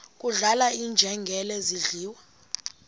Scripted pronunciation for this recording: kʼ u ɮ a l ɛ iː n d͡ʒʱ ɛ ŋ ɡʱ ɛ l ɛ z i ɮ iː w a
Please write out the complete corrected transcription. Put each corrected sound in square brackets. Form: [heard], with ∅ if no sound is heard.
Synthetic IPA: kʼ u ɮ a l [a] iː n d͡ʒʱ ɛ ŋ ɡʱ ɛ l ɛ z i ɮ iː w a